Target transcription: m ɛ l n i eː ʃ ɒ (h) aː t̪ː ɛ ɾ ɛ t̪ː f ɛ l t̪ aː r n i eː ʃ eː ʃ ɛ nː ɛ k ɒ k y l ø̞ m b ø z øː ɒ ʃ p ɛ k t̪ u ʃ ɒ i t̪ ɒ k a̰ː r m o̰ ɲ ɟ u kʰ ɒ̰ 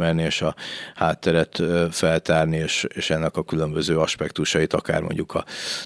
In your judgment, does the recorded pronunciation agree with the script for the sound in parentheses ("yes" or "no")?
yes